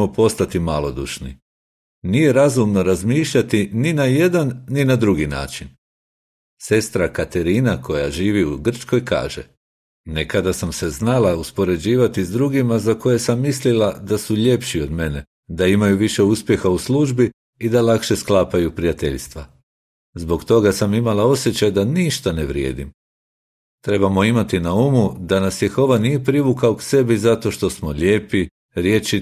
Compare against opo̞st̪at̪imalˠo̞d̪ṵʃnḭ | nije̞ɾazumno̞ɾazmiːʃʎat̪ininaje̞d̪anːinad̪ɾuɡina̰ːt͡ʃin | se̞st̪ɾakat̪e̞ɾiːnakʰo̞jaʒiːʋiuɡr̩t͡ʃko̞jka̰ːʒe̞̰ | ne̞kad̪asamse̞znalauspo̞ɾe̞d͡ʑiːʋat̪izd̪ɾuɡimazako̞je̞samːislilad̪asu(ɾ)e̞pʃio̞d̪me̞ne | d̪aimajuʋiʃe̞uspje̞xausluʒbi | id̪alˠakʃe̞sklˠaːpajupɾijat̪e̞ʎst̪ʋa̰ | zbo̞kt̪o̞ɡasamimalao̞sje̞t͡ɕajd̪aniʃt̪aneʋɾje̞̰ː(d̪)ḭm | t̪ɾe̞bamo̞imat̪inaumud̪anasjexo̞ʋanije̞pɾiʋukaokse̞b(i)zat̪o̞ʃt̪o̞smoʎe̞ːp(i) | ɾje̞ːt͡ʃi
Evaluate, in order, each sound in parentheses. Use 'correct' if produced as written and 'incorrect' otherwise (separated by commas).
incorrect, correct, correct, correct